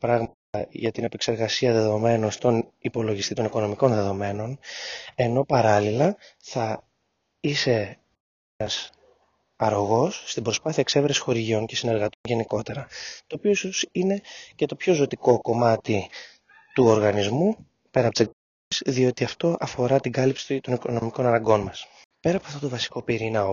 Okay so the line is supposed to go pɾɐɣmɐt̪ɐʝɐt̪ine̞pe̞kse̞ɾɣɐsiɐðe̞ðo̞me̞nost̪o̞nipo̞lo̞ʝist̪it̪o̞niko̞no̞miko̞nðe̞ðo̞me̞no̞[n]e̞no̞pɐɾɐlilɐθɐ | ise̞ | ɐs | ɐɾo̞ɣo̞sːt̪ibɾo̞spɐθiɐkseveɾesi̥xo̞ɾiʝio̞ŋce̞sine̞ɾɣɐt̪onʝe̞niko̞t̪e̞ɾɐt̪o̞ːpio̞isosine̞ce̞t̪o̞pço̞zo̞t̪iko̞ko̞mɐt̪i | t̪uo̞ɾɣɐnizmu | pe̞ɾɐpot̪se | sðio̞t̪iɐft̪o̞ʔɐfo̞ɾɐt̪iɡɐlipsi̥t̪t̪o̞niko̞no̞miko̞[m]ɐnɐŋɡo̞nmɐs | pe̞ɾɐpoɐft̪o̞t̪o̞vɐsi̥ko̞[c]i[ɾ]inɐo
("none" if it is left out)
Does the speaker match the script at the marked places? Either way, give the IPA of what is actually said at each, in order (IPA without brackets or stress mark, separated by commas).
n, n, p, ɾ